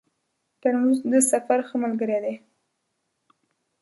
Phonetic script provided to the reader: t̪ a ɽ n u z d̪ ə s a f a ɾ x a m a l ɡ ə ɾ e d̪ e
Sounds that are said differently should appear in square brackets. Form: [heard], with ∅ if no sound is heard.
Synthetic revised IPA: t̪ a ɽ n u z d̪ ə s a f a ɾ x [ə] m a l ɡ ə ɾ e d̪ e